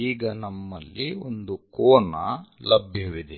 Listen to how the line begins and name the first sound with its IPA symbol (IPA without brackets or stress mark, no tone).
iː